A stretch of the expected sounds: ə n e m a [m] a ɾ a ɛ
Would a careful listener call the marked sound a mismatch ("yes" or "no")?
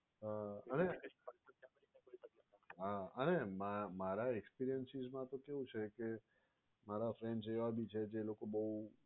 no